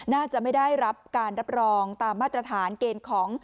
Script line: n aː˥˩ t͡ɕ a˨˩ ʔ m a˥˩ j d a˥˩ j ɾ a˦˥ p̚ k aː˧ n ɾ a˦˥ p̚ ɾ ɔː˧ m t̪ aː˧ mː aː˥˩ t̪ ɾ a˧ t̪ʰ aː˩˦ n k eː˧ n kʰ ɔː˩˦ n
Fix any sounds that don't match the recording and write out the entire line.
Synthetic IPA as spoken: n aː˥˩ t͡ɕ a˨˩ ʔ m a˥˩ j d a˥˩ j ɾ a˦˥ p̚ k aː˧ n ɾ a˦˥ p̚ ɾ ɔː˧ ŋ t̪ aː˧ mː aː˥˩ t̪ ɾ a˧ t̪ʰ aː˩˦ n k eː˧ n kʰ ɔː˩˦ ŋ